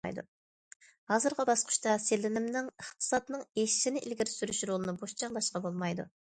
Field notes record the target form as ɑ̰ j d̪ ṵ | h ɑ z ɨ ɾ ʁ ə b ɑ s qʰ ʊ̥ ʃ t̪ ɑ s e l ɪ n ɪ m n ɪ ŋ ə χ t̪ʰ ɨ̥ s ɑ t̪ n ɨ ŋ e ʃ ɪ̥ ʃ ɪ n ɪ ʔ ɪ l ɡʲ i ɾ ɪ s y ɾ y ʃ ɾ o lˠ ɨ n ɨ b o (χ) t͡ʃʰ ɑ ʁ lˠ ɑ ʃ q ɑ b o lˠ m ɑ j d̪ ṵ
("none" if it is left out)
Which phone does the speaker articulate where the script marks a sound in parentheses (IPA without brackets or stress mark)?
ʃ